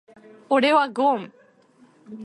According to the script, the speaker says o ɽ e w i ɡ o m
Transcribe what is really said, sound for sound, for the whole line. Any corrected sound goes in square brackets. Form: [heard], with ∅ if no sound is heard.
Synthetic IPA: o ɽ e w [a] ɡ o m